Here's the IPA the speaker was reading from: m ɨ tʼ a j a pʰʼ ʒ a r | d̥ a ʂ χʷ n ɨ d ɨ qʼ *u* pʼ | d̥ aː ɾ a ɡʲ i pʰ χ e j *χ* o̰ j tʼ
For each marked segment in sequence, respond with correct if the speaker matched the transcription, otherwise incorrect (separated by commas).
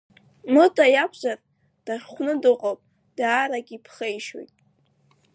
incorrect, incorrect